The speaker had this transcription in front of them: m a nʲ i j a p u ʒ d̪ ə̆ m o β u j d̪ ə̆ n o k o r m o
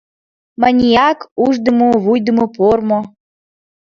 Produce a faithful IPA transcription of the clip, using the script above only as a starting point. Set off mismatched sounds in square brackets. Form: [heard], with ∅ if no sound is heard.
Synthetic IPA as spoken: m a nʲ i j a [k] u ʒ d̪ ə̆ m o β u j d̪ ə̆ [m] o [p] o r m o